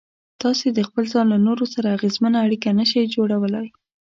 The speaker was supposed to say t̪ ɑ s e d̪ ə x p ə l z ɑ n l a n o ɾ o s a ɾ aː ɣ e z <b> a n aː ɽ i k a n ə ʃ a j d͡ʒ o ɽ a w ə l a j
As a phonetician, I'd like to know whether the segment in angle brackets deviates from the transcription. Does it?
yes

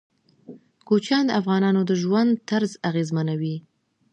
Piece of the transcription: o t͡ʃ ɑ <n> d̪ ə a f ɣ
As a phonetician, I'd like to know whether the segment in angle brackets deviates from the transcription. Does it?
no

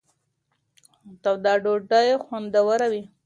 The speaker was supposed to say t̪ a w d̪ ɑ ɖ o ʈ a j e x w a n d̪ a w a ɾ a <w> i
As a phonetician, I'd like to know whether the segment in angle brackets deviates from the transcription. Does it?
no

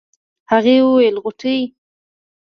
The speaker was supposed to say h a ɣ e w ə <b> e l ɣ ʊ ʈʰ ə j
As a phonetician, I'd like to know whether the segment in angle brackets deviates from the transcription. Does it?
yes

